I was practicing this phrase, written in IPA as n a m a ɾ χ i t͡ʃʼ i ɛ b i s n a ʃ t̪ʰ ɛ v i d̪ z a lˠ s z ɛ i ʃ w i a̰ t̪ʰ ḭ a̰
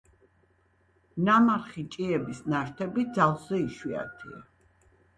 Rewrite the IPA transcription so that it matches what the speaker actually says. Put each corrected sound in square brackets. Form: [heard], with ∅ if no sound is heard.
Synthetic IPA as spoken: n a m a ɾ χ i t͡ʃʼ i ɛ b i s n a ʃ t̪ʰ ɛ [b] i d̪ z a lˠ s z ɛ i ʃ w i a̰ t̪ʰ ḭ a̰